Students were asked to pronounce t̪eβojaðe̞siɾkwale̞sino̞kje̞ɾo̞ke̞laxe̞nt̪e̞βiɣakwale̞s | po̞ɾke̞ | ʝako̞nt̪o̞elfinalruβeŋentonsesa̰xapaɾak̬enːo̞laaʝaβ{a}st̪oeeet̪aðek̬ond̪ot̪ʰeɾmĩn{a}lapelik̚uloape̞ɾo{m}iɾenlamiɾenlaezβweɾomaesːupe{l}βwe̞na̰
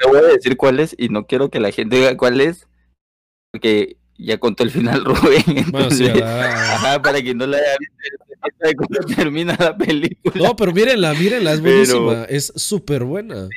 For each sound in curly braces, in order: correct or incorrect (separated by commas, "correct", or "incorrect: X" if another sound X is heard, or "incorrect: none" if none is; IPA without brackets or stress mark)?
incorrect: i, correct, correct, incorrect: ɾ